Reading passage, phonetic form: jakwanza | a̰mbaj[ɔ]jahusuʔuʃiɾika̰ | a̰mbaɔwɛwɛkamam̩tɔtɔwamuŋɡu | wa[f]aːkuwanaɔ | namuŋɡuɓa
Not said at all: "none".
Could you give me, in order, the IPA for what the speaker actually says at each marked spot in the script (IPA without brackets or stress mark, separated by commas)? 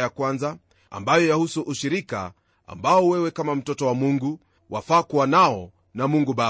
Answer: ɔ, f